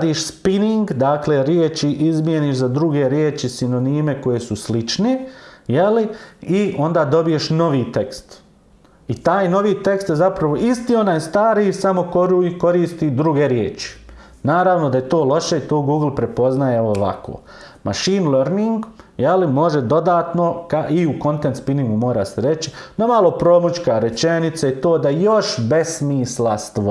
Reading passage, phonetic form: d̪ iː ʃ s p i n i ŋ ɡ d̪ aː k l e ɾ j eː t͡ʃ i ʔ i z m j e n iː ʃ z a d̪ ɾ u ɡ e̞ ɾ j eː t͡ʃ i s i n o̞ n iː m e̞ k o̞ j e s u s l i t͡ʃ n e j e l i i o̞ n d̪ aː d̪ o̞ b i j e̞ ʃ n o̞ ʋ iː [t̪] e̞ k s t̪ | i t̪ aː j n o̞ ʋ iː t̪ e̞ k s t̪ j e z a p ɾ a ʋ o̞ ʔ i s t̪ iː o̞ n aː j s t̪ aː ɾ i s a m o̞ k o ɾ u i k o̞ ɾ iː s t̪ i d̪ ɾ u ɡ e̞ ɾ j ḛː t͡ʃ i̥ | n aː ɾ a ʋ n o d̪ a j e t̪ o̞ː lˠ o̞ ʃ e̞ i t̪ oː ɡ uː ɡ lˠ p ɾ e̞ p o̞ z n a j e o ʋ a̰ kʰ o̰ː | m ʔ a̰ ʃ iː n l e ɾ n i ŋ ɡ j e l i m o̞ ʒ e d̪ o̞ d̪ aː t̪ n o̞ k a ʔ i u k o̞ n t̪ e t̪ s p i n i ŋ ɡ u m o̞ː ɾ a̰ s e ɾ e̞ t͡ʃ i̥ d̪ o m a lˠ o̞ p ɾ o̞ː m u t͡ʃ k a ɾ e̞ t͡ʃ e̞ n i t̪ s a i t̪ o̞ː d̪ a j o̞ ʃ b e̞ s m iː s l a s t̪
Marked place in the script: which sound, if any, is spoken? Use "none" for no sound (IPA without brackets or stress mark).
t̪